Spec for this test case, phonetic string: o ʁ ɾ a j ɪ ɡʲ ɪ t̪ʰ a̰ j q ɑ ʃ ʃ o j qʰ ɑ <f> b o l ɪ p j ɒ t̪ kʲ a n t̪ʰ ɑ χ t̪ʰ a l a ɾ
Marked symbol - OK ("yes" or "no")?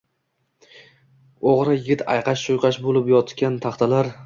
no